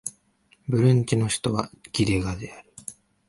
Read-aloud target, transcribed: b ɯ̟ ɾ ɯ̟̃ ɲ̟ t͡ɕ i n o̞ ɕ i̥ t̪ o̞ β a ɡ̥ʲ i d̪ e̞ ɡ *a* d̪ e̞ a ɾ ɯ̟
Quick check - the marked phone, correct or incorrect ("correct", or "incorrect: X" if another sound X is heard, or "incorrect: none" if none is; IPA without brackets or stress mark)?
correct